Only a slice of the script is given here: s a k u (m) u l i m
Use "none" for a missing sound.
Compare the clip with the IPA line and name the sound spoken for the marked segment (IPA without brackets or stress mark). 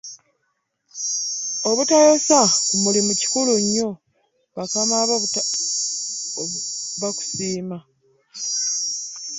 m